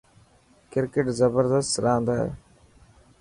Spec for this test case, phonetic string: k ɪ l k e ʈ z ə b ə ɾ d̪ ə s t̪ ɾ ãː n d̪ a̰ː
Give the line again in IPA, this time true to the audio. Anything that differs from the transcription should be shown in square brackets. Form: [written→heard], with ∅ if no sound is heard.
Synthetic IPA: k ɪ [l→ɾ] k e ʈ z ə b ə ɾ d̪ ə s t̪ ɾ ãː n d̪ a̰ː